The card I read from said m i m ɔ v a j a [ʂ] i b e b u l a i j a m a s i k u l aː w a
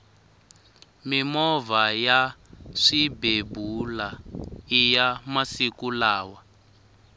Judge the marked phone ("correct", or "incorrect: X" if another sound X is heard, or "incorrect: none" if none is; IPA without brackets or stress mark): correct